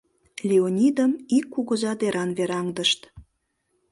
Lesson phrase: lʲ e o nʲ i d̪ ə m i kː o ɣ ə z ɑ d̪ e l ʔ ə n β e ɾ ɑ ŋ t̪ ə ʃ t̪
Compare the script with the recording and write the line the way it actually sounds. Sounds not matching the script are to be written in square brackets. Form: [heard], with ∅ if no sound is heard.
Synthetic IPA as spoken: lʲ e o nʲ i d̪ ə m i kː [u] ɣ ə z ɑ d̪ e [ɾ] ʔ [ɑ] n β e ɾ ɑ ŋ [d̪] ə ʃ t̪